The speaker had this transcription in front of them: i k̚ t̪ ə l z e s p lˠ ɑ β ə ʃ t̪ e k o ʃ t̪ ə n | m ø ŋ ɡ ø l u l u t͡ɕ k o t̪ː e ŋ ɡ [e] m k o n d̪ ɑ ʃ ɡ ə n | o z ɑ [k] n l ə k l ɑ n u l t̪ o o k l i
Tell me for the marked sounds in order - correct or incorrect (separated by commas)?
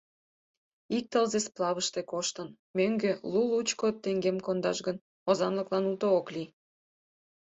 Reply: correct, incorrect